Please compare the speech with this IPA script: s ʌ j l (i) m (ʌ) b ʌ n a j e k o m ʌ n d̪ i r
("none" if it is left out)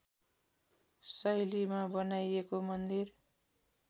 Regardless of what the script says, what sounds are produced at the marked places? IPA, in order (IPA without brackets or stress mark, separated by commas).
i, a